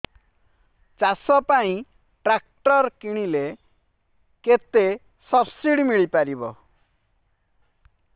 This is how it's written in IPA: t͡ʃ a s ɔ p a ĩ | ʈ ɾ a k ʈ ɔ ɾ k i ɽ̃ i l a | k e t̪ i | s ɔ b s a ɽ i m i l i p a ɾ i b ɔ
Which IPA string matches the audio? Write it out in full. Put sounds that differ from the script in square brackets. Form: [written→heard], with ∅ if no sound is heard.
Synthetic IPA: t͡ʃ a s ɔ p a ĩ | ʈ ɾ a k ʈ ɔ ɾ k i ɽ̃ i l [a→e] | k e t̪ [i→e] | s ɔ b s [a→i] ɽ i m i [l→ɭ] i p a ɾ i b ɔ